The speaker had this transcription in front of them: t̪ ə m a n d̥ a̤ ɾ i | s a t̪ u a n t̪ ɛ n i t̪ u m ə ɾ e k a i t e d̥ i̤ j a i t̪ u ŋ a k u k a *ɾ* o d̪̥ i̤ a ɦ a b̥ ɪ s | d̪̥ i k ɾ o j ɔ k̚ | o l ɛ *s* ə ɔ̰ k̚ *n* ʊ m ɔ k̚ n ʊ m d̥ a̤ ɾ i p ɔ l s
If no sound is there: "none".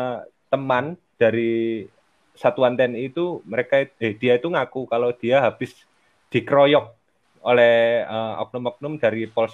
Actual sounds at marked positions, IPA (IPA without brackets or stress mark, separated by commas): l, h, n